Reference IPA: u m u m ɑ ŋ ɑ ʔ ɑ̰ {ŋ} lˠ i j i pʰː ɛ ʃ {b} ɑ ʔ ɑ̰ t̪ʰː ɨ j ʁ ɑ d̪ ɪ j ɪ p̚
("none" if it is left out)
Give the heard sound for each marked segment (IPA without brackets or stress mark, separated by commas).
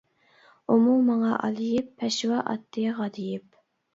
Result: none, w